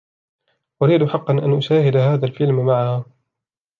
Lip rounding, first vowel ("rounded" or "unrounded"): rounded